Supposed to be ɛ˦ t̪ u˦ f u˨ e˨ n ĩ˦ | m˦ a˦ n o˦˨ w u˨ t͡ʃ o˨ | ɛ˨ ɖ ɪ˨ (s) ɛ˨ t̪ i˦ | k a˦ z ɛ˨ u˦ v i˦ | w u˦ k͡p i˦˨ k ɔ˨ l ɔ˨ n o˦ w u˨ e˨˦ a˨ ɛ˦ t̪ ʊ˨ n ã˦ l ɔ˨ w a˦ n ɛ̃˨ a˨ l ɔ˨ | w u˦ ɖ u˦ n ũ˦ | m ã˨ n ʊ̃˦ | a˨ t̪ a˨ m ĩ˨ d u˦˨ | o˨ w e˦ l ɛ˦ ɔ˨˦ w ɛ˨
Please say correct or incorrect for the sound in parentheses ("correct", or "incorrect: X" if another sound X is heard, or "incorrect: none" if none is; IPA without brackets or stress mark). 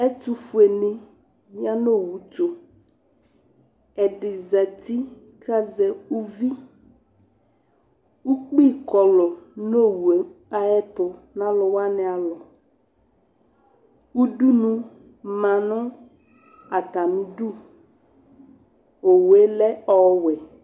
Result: incorrect: z